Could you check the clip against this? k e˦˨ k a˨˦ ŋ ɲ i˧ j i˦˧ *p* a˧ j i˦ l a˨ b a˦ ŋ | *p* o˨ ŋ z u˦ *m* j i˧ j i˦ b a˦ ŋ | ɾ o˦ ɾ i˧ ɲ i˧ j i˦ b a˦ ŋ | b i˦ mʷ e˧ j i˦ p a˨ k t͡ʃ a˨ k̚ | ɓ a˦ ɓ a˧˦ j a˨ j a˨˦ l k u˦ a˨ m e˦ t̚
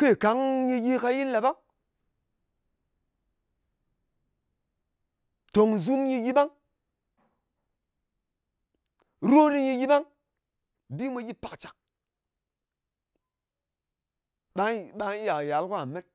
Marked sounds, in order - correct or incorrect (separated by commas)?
incorrect, incorrect, correct